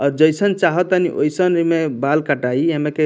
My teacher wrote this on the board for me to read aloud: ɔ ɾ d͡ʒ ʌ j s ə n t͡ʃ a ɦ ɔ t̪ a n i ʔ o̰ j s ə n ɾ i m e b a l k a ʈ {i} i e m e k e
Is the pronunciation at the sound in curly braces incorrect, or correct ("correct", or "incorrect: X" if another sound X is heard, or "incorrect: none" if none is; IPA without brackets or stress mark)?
incorrect: a